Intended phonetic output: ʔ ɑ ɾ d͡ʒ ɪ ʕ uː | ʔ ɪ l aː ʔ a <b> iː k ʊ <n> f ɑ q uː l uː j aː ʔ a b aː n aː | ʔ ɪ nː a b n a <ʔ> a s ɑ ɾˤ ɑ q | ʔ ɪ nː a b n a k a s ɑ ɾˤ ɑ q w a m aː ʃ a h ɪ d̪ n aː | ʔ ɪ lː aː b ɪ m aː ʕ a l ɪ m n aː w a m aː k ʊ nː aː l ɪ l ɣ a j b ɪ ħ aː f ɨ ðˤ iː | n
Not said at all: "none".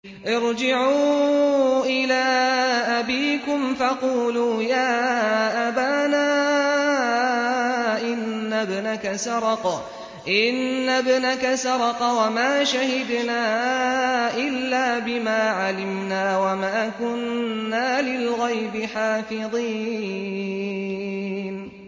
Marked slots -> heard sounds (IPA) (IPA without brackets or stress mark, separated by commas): b, m, k